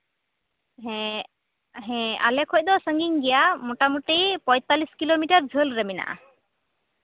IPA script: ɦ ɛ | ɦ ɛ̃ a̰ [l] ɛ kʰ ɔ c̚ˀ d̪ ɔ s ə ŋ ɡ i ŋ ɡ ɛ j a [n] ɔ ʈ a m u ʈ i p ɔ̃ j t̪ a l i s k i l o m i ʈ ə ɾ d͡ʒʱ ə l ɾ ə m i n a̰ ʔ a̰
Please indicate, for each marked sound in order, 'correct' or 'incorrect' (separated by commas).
correct, incorrect